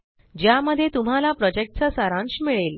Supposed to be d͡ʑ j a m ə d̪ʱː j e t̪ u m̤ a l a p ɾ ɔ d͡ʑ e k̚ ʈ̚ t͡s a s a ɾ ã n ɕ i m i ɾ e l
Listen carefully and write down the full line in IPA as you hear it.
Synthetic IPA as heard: d͡ʑ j a m ə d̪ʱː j e t̪ u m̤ a l a p ɾ ɔ d͡ʑ e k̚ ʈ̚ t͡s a s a ɾ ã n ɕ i m i ɭ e l